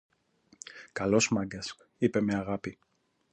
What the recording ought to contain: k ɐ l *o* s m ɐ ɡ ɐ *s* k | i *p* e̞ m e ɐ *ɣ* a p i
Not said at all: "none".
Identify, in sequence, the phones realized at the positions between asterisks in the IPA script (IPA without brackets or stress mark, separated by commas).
o, s, p, ɣ